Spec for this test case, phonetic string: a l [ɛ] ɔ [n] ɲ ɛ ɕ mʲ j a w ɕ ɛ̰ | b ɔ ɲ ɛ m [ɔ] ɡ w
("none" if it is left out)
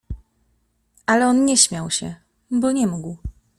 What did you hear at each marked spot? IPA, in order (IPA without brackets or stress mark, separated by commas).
ɛ, n, u